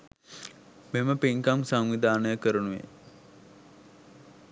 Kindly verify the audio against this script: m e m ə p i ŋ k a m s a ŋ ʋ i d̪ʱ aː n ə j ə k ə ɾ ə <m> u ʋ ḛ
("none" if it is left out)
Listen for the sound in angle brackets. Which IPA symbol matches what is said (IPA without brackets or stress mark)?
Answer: n